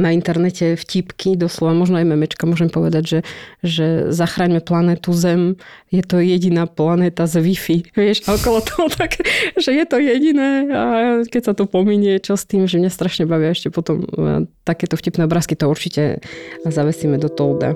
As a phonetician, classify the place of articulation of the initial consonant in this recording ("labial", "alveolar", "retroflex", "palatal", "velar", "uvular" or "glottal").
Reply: alveolar